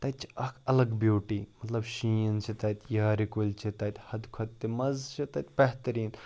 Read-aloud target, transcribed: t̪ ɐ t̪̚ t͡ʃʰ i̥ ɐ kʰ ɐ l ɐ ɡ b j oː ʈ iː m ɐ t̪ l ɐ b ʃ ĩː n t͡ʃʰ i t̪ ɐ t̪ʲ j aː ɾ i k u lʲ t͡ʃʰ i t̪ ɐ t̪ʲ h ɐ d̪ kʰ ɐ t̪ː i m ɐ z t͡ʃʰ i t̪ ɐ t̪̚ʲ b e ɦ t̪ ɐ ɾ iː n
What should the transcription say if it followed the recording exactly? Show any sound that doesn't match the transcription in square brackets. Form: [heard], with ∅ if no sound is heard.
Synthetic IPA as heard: t̪ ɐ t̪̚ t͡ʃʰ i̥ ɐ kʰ ɐ l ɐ ɡ b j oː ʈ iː m ɐ t̪ l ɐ b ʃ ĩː n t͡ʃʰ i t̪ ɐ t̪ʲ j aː ɾ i k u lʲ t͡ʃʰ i t̪ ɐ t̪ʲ h ɐ d̪ kʰ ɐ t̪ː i m ɐ z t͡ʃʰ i t̪ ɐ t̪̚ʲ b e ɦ t̪ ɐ ɾ iː n

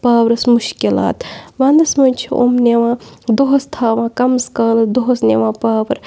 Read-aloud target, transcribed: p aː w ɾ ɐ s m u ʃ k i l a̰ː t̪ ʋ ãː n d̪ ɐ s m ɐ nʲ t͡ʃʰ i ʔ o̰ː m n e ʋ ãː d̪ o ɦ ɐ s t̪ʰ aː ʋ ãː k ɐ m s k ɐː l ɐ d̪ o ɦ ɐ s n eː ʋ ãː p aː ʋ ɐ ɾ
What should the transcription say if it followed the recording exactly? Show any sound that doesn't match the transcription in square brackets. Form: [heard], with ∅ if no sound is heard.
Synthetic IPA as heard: p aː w ɾ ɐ s m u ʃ k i l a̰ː t̪ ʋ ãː n d̪ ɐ s m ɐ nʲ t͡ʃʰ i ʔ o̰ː m n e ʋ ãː d̪ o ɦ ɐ s t̪ʰ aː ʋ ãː k ɐ m s k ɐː l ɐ d̪ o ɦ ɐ s n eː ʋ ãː p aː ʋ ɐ ɾ

